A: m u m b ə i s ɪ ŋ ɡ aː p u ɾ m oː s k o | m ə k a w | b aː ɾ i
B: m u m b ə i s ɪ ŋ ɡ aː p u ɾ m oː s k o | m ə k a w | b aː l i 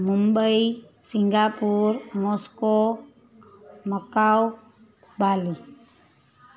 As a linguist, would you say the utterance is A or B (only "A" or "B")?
B